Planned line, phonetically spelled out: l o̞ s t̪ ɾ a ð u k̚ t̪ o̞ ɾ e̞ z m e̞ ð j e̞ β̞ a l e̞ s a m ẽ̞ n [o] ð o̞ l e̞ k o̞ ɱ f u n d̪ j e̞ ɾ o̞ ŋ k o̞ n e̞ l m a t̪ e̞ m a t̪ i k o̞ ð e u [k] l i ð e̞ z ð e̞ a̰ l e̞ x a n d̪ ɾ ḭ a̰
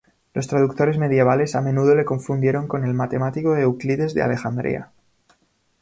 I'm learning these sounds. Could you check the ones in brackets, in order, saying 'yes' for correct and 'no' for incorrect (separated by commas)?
no, yes